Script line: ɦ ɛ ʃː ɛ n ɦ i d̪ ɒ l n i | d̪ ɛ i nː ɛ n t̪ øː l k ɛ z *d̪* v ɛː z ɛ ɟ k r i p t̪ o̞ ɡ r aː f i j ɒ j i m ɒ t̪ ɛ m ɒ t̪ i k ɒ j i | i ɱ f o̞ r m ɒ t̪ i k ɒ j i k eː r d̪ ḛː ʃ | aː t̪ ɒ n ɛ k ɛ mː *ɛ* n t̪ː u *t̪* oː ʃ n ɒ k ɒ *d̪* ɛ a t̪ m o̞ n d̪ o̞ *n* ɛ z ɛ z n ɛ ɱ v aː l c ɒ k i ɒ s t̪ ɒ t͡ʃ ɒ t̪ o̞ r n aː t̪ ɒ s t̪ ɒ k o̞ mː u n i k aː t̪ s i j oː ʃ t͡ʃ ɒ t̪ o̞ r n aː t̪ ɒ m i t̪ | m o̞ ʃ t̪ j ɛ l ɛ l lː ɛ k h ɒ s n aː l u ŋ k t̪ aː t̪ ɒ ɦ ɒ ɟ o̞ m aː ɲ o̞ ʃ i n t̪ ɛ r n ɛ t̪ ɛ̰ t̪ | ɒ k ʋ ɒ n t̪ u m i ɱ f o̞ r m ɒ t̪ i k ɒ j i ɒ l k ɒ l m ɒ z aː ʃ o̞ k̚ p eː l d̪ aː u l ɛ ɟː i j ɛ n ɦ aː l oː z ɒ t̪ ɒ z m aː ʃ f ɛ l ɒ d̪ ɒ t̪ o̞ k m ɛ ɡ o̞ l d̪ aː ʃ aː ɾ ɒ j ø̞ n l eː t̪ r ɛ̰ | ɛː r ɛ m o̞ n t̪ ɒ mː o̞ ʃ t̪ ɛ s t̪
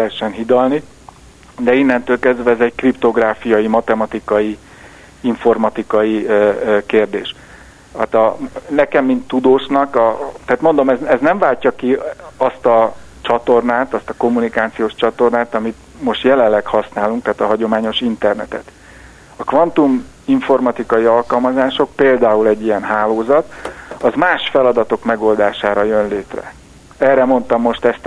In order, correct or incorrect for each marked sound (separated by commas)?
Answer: correct, incorrect, incorrect, incorrect, incorrect